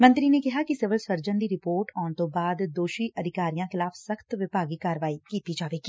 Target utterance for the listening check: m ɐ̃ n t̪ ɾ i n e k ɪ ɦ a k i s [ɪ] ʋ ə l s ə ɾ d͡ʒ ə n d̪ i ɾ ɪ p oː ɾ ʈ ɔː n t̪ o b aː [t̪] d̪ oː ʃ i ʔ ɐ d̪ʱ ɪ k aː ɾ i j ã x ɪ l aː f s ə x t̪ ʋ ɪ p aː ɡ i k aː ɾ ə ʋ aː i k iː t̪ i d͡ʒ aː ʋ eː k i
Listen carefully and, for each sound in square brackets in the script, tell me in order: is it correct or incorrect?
correct, incorrect

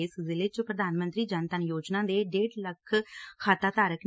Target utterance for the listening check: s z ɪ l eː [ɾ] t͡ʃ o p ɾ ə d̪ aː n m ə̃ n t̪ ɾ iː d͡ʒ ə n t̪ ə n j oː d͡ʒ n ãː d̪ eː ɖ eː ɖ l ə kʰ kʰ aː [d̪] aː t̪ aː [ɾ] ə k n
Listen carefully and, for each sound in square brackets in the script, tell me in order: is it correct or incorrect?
incorrect, incorrect, correct

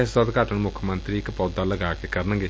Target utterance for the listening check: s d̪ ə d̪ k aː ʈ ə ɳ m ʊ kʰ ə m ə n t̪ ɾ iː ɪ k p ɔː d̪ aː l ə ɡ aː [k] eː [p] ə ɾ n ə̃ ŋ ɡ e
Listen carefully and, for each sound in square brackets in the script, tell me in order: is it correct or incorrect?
correct, incorrect

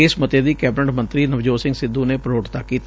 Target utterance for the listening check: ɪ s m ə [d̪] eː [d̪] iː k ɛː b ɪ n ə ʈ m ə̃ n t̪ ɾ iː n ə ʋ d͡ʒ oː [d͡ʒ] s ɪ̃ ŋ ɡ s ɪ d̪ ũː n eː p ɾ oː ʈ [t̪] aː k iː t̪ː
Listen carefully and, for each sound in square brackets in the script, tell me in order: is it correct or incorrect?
incorrect, correct, incorrect, correct

